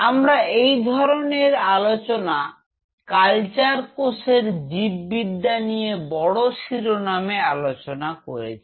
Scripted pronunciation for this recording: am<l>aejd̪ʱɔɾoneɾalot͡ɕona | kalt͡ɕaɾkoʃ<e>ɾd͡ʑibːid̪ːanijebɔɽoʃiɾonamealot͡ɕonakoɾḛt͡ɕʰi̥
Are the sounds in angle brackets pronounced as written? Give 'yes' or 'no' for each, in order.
no, yes

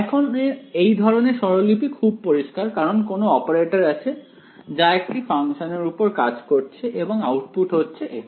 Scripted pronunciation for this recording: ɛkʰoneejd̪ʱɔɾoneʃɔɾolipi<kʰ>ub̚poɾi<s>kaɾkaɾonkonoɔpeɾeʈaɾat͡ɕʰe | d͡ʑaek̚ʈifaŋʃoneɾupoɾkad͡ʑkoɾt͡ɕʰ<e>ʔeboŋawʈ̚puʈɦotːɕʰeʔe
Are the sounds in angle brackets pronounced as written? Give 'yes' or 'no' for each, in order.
yes, no, yes

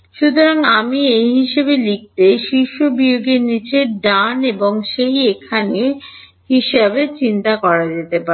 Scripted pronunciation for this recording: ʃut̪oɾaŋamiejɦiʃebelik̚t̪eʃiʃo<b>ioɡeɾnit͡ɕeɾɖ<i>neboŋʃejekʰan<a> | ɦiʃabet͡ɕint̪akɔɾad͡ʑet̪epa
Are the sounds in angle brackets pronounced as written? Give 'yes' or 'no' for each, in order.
yes, no, no

